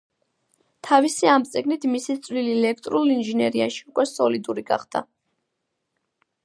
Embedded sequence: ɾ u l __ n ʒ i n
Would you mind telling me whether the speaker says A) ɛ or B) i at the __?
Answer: B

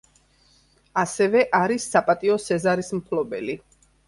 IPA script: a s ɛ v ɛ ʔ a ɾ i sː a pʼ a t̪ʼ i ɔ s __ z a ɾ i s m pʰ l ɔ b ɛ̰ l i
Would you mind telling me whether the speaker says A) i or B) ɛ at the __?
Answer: B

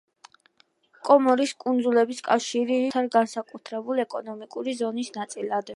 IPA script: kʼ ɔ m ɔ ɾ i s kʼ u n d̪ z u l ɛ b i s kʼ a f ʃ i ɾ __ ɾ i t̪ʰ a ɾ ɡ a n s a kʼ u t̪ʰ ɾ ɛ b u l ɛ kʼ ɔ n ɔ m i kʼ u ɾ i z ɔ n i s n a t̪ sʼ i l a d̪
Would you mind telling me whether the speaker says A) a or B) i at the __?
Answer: B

